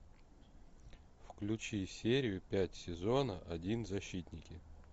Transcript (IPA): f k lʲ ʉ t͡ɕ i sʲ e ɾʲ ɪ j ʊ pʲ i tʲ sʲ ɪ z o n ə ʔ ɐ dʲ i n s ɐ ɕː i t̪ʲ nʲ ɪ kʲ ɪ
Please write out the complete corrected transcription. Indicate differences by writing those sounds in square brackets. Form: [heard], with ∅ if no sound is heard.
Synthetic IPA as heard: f k lʲ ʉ t͡ɕ i sʲ e ɾʲ ɪ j ʊ pʲ [æ] tʲ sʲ ɪ z o n ə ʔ ɐ dʲ i n [z] ɐ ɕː i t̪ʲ nʲ ɪ kʲ ɪ